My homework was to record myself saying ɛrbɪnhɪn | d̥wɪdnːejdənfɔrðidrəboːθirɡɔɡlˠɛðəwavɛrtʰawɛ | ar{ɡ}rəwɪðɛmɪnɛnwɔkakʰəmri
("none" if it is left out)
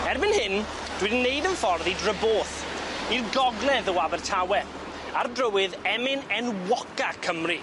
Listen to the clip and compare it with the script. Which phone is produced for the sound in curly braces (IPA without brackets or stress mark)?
d